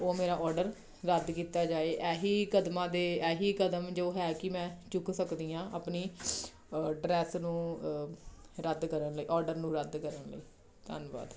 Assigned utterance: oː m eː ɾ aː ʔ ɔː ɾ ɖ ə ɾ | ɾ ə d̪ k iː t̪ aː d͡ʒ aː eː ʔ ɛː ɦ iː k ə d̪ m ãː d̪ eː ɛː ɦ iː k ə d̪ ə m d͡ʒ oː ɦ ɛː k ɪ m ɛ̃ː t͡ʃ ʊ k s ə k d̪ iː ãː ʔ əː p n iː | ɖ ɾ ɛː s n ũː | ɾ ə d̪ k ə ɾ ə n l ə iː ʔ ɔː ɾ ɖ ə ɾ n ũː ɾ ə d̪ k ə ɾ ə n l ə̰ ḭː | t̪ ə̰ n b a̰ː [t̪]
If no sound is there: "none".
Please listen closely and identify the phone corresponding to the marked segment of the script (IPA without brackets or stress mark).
d̪